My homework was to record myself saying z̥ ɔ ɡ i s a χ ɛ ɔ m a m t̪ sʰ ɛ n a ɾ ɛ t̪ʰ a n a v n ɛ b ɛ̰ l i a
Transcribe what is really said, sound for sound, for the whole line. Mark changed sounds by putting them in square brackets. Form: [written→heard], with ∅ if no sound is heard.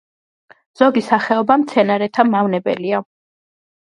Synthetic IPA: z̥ ɔ ɡ i s a χ ɛ ɔ [m→b] a m t̪ sʰ ɛ n a ɾ ɛ t̪ʰ a [n→m] a v n ɛ b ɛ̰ l i a